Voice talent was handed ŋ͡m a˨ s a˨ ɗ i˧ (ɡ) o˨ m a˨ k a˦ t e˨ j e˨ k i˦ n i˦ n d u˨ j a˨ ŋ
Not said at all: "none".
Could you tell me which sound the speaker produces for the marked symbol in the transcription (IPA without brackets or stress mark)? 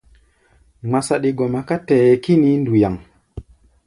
ɡ